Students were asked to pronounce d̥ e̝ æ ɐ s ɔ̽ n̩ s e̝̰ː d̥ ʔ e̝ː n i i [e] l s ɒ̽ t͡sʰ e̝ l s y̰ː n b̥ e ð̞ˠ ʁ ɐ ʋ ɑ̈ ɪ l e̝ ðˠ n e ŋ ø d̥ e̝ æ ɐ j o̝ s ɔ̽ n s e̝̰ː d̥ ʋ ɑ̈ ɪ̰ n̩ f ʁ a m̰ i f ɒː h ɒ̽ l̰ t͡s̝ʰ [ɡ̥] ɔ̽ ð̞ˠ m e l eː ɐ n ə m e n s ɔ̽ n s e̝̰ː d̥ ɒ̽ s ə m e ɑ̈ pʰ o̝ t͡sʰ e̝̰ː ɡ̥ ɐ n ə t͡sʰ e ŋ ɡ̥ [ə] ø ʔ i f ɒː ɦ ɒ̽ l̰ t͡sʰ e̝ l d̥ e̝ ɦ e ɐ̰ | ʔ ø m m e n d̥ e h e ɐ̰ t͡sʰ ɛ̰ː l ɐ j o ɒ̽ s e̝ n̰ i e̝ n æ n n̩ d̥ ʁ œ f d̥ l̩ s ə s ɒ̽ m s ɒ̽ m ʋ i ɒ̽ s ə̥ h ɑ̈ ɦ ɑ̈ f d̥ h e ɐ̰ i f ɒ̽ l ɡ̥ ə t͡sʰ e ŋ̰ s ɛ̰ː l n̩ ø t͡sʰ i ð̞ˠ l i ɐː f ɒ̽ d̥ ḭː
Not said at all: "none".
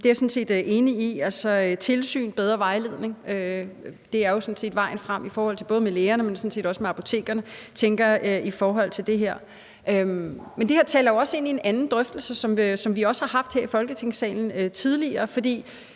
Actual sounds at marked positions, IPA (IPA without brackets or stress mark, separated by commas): æ, b̥, ɐ